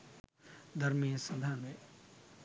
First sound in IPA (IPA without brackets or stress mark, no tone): d̪